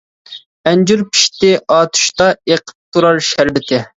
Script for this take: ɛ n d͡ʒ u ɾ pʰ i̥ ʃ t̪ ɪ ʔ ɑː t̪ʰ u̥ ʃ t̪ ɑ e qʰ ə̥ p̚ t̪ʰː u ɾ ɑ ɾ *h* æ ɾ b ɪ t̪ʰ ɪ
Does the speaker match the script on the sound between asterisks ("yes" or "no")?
no